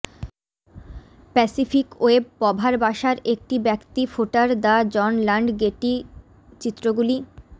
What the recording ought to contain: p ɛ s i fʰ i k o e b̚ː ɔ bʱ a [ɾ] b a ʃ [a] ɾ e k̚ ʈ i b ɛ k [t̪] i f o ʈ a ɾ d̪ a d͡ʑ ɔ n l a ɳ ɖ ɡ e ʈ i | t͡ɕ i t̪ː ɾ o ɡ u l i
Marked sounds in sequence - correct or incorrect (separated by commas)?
correct, correct, correct